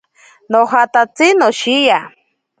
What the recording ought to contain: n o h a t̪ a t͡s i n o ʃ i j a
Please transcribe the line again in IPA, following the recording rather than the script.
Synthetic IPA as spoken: n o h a t̪ a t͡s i n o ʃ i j a

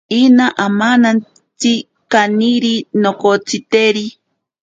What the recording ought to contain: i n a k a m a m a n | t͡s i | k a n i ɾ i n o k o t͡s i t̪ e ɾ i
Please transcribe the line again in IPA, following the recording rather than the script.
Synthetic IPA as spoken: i n a ʔ a m a n a n | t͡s i | k a n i ɾ i n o k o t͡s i t̪ e ɾ i

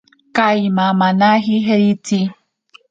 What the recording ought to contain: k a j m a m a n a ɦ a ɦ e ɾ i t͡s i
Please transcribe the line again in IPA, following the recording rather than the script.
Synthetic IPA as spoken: k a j m a m a n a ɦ i ɦ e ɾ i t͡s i

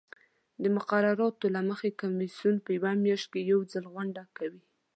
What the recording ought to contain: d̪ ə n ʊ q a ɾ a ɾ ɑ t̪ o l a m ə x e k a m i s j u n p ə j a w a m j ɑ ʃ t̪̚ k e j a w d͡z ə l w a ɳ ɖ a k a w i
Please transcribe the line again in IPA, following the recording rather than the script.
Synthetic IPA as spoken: d̪ ə m ʊ q a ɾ a ɾ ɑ t̪ o l a m ə x e k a m i s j u n p ə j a w a m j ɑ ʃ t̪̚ k e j a w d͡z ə l ɣ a ɳ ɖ a k a w i

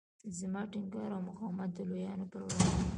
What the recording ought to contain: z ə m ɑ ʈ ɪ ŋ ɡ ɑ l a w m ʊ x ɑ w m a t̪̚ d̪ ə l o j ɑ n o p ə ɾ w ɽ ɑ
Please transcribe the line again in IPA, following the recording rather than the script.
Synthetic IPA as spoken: z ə m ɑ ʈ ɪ ŋ ɡ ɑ ɾ a w m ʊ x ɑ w m a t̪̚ d̪ ə l o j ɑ n o p ə ɾ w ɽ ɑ

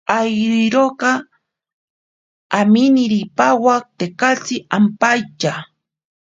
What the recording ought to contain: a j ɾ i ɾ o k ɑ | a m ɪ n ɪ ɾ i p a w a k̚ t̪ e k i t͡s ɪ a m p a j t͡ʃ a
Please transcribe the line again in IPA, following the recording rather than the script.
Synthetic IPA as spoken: a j ɾ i ɾ o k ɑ | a m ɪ n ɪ ɾ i p a w a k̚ t̪ e k a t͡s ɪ a m p a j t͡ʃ a

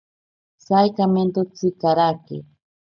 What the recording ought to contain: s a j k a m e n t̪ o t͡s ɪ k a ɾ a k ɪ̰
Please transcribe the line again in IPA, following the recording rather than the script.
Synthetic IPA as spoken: s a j k a m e n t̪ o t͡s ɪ k a ɾ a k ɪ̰

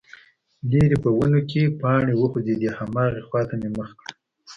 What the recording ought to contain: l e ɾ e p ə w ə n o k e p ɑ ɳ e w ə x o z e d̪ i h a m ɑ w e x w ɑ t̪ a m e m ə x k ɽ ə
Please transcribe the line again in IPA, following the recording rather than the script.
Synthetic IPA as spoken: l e ɾ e p ə w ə n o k e p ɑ ɳ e w ə x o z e d̪ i h a m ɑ ɣ e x w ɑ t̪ a m e m ə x k ɽ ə

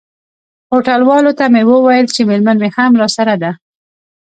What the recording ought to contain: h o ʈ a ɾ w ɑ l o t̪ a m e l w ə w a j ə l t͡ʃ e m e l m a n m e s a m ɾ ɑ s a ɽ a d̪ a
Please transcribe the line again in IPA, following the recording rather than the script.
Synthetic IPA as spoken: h o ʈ a l w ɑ l o t̪ a m e w ə w a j ə l t͡ʃ e m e l m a n m e h a m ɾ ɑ s a ɾ a d̪ a

